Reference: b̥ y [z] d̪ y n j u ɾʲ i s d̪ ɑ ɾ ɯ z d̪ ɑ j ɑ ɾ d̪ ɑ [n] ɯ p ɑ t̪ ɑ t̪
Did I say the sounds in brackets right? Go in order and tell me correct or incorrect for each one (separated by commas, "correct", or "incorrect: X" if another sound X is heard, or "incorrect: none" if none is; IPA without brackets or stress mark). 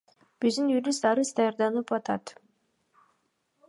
correct, correct